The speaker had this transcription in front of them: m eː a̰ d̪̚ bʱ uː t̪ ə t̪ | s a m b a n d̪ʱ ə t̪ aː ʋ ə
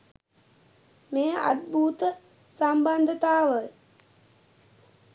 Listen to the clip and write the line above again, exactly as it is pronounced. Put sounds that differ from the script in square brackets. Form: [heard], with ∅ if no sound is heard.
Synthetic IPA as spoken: m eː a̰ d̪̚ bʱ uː t̪ ə [∅] | s a m b a n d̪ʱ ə t̪ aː ʋ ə